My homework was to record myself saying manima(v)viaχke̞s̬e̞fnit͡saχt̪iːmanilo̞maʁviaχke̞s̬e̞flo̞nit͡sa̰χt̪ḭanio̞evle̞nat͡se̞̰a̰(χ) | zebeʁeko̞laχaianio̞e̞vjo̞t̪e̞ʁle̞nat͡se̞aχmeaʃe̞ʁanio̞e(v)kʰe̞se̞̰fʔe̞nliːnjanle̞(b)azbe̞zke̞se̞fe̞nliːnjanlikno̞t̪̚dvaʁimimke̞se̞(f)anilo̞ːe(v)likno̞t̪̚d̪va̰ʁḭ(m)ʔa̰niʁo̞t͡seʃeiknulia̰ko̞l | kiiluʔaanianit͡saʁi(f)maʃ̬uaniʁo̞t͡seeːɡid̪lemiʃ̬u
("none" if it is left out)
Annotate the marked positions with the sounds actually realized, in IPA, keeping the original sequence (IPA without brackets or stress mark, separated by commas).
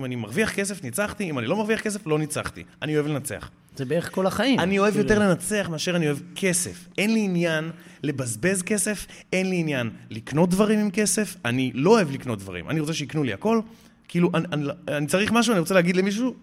ʁ, χ, v, b, f, v, m, χ